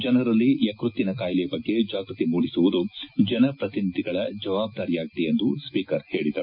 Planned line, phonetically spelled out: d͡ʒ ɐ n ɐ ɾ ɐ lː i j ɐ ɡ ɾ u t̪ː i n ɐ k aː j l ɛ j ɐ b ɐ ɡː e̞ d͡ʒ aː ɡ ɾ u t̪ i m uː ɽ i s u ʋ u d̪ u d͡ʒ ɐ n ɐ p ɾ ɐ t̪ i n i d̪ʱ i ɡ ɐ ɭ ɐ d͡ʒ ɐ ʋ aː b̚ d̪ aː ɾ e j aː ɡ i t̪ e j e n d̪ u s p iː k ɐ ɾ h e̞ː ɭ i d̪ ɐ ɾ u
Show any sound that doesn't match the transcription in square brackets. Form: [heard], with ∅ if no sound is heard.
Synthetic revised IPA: d͡ʒ ɐ n ɐ ɾ ɐ lː i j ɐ [k] ɾ u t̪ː i n ɐ k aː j l ɛ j ɐ b ɐ ɡː e̞ d͡ʒ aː ɡ ɾ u t̪ i m uː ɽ i s u ʋ u d̪ u d͡ʒ ɐ n ɐ p ɾ ɐ t̪ i n i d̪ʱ i ɡ ɐ ɭ ɐ d͡ʒ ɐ ʋ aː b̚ d̪ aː ɾ [i] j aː ɡ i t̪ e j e n d̪ u s p iː k ɐ ɾ h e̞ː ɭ i d̪ ɐ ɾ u